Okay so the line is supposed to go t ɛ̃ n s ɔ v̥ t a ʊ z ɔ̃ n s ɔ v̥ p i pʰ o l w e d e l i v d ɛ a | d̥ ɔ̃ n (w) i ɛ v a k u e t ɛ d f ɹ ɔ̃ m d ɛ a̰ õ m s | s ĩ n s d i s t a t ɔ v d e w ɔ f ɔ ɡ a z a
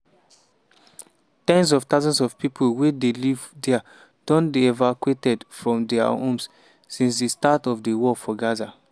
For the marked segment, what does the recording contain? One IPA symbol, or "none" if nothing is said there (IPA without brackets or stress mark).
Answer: b